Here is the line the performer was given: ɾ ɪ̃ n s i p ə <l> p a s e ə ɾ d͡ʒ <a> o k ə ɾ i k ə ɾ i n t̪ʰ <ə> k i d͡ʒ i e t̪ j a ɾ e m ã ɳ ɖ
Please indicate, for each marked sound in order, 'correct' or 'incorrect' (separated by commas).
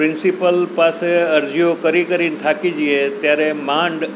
correct, incorrect, incorrect